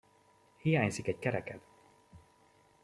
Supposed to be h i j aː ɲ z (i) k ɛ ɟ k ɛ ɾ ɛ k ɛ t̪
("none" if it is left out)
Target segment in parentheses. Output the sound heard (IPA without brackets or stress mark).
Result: i